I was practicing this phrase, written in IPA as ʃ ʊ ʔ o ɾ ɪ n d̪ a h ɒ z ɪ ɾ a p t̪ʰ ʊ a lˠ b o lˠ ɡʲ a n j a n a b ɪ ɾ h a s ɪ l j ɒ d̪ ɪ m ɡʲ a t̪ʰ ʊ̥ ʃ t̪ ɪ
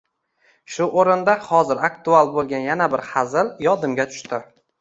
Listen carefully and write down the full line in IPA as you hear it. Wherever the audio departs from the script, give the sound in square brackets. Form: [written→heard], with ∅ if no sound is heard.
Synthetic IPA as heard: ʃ ʊ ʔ o ɾ ɪ n d̪ a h ɒ z ɪ ɾ a [p→k] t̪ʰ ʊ a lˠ b o lˠ ɡʲ a n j a n a b ɪ ɾ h a [s→z] ɪ l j ɒ d̪ ɪ m ɡʲ a t̪ʰ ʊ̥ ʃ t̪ ɪ